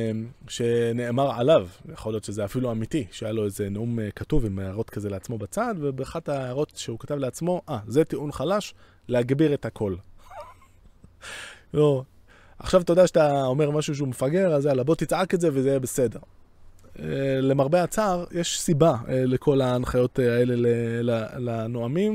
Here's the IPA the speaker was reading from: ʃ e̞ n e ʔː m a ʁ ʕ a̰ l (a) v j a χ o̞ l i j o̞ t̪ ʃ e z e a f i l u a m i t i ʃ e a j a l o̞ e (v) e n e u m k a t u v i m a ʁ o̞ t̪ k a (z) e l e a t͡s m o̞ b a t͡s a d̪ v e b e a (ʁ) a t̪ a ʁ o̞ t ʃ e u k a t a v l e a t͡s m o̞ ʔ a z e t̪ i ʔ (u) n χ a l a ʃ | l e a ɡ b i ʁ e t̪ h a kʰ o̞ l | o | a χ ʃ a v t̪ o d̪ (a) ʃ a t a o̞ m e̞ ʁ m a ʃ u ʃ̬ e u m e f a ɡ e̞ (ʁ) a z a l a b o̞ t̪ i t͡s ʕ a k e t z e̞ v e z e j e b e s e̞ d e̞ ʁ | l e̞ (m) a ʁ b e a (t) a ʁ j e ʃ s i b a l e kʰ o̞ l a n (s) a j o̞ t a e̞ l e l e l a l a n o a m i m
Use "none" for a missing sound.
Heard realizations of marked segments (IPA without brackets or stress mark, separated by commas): a, z, z, χ, u, a, ʁ, m, t͡s, χ